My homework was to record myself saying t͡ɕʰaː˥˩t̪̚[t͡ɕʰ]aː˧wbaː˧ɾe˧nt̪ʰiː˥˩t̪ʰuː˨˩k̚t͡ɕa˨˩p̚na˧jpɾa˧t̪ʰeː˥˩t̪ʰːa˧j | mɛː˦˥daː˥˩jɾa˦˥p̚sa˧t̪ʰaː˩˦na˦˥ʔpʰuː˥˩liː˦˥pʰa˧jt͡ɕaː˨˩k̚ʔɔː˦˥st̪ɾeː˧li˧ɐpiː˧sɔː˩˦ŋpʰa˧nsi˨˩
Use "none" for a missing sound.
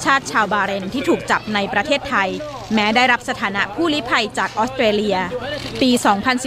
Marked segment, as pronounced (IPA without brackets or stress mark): t͡ɕʰ